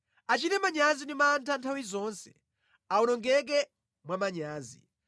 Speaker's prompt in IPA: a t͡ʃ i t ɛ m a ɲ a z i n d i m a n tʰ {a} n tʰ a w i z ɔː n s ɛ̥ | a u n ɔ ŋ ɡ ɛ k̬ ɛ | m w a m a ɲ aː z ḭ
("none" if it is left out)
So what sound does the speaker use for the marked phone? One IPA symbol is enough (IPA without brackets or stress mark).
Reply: a